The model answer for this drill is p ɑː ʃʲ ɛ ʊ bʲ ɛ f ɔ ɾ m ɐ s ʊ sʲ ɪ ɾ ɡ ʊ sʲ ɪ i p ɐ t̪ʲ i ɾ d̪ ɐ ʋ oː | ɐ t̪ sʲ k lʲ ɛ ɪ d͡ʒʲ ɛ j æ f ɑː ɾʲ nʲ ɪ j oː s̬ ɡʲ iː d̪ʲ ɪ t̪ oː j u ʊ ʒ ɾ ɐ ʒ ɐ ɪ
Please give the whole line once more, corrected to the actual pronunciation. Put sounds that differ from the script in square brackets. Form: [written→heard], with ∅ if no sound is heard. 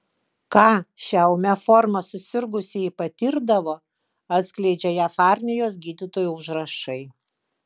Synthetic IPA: [p→k] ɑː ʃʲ ɛ ʊ [bʲ→mʲ] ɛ f ɔ ɾ m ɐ s ʊ sʲ ɪ ɾ ɡ ʊ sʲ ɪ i p ɐ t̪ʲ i ɾ d̪ ɐ ʋ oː | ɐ t̪ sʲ k lʲ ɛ ɪ d͡ʒʲ ɛ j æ f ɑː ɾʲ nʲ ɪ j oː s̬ ɡʲ iː d̪ʲ ɪ t̪ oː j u ʊ ʒ ɾ ɐ [ʒ→ʃ] ɐ ɪ